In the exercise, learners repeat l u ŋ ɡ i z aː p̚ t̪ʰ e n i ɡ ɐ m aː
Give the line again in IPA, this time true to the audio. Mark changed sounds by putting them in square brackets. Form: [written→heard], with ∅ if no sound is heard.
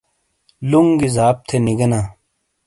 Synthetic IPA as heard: l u ŋ ɡ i z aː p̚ t̪ʰ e n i ɡ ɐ [m→n] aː